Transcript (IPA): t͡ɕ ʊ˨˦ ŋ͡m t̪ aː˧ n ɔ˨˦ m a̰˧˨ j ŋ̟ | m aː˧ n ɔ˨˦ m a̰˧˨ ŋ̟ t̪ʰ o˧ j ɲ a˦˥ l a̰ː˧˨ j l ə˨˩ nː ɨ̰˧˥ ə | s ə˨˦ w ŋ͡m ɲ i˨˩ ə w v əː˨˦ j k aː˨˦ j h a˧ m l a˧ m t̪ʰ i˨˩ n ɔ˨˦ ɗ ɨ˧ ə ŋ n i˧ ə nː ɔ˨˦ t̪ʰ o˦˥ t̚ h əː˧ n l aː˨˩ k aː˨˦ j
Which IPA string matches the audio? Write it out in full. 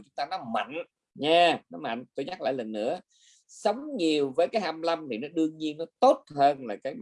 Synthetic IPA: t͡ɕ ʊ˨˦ ŋ͡m t̪ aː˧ n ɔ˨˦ m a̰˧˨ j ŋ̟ | ɲ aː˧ n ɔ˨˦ m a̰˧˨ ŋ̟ t̪ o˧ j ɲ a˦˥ l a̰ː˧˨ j l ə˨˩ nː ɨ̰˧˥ ə | s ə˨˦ w ŋ͡m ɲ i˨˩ ə w v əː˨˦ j k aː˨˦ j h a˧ m l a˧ m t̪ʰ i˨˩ n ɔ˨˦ ɗ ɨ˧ ə ŋ ɲ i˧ ə nː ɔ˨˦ t̪ o˦˥ t̚ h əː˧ n l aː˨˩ k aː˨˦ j

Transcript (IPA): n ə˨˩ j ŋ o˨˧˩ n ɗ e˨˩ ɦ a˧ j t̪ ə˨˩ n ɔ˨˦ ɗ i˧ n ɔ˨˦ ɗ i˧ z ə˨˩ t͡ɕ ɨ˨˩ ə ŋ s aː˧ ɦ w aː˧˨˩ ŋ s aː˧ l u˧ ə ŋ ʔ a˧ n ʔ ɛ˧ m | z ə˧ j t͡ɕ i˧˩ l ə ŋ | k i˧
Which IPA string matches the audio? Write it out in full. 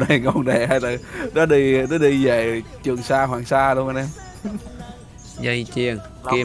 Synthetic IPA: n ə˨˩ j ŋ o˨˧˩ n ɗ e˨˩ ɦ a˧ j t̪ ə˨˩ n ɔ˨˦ ɗ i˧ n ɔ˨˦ ɗ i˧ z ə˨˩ t͡ɕ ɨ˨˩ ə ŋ s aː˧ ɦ w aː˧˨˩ ŋ s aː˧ l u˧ ə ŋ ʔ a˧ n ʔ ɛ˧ m | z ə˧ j t͡ɕ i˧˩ ə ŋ | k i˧

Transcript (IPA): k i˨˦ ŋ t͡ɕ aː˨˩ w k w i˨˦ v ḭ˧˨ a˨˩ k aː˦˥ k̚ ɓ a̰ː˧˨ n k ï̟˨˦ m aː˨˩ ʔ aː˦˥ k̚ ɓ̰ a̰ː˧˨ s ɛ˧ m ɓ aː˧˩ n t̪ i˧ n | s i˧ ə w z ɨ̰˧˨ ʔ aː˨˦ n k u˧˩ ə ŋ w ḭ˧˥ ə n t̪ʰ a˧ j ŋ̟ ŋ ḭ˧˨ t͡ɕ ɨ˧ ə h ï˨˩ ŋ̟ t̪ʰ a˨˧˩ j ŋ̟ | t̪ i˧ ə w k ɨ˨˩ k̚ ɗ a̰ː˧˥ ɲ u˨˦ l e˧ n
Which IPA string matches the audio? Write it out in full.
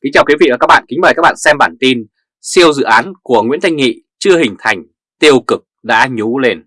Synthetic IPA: k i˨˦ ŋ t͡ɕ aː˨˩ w k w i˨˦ v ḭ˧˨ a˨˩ k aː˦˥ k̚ ɓ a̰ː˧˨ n k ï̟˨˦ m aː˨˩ k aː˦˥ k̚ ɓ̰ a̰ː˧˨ s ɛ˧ m ɓ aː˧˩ n t̪ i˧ n | s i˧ ə w z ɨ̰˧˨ ʔ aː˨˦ n k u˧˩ ə ŋ w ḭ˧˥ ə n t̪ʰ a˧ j ŋ̟ ŋ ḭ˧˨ t͡ɕ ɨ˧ ə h ï˨˩ ŋ̟ t̪ʰ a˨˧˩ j ŋ̟ | t̪ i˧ ə w k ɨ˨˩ k̚ ɗ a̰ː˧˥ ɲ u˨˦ l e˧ n

